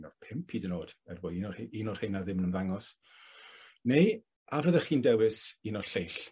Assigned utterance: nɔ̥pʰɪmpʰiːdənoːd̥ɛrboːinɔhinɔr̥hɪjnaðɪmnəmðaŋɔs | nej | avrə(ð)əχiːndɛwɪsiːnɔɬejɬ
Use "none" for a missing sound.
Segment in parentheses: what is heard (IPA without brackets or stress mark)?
ð